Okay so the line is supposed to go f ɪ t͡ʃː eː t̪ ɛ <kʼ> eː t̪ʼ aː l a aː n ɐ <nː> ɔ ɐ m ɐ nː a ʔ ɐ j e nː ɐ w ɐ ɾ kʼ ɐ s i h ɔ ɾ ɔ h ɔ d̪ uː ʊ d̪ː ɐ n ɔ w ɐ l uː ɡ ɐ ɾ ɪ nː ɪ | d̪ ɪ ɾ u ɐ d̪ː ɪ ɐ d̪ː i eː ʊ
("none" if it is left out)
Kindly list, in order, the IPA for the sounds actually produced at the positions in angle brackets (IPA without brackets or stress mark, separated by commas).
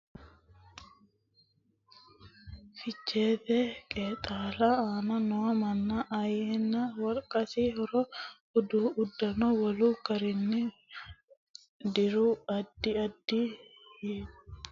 kʼ, n